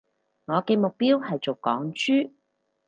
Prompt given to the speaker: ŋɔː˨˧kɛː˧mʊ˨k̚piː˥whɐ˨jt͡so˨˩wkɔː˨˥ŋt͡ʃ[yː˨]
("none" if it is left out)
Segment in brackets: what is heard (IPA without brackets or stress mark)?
yː˥